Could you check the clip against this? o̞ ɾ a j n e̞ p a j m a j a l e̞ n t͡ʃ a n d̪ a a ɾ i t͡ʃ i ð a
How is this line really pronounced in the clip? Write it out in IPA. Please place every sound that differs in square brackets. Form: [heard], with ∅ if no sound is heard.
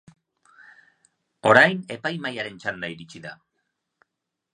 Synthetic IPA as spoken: o̞ ɾ a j n e̞ p a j m a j a [ɾ] e̞ n t͡ʃ a n d̪ a [i] ɾ i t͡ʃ i ð a